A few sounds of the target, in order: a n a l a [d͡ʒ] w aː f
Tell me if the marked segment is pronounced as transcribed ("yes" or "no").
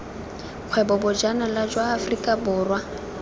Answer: yes